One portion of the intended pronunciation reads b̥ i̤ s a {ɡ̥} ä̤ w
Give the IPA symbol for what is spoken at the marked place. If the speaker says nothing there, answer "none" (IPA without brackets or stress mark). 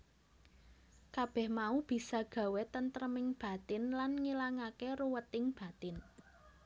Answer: ɡ̥